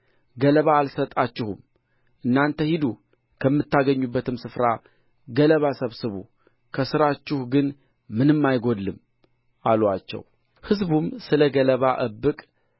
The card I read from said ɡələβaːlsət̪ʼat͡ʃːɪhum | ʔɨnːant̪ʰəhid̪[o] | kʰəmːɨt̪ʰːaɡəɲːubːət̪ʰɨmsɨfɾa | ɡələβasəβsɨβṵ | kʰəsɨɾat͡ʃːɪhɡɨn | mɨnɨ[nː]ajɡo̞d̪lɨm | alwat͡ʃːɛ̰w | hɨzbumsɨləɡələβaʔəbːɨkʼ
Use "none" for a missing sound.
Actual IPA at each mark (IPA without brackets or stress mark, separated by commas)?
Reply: u, mː